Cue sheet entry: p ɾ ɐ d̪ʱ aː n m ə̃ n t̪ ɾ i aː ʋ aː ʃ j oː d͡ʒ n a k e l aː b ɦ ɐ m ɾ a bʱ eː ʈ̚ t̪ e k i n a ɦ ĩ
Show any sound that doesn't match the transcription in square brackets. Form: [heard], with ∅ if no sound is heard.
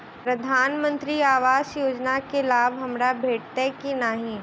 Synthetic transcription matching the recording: p ɾ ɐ d̪ʱ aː n m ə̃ n t̪ ɾ i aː ʋ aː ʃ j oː d͡ʒ n a k e l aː b ɦ ɐ m ɾ a bʱ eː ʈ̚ t̪ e k i n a ɦ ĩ